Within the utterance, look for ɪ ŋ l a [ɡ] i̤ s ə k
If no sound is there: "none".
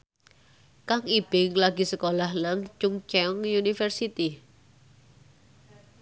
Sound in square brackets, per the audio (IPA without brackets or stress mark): ɡ